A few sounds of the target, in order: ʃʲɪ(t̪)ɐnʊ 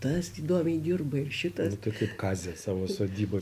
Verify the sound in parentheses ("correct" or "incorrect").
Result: correct